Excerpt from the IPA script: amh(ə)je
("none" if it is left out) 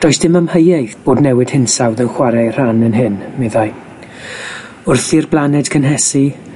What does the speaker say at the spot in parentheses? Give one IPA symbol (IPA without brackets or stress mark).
ə